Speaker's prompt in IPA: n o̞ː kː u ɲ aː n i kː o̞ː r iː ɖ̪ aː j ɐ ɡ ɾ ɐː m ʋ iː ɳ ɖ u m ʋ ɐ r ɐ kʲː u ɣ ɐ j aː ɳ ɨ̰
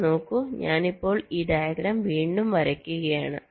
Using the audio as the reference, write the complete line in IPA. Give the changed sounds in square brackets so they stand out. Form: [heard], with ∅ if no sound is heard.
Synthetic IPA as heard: n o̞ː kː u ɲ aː n i [pː] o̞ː [ɭ] iː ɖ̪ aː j ɐ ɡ ɾ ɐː m ʋ iː ɳ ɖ u m ʋ ɐ [ɾ] ɐ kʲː u ɣ ɐ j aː ɳ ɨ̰